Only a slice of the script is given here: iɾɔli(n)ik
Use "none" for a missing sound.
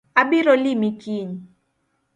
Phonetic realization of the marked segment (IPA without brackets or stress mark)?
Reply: m